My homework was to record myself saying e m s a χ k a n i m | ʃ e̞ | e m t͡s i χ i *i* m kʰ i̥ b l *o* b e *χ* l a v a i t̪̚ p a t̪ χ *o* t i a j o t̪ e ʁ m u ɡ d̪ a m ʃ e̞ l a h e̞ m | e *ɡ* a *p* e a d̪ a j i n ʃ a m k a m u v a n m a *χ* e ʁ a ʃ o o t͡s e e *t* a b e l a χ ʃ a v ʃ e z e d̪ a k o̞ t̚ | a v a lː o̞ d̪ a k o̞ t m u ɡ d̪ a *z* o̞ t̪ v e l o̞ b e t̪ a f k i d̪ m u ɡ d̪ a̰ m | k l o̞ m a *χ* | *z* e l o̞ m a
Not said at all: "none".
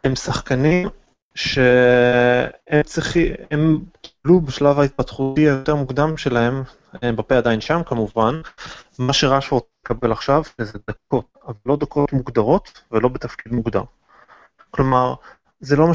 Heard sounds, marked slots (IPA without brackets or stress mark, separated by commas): e, u, ʃ, u, b, p, ʃ, k, ʁ, ʁ, z